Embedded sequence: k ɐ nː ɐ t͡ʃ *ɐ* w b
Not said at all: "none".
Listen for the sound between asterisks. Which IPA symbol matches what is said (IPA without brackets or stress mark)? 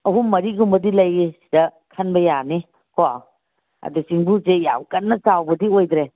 a